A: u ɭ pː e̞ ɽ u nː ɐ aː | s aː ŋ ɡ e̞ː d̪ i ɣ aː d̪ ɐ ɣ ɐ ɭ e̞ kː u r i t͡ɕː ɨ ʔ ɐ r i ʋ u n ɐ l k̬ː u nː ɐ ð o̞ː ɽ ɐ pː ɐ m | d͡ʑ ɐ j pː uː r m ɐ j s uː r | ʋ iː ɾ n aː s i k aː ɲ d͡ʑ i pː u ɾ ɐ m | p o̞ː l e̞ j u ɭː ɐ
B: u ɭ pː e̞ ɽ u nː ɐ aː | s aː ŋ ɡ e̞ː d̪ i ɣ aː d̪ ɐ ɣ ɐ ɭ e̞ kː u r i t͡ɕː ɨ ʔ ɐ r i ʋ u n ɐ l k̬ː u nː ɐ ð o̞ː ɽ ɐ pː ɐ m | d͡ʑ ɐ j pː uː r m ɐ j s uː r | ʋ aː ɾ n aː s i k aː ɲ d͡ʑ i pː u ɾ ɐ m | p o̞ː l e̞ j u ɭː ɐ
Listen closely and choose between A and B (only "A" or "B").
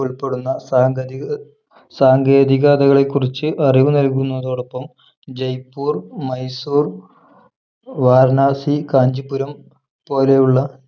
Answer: B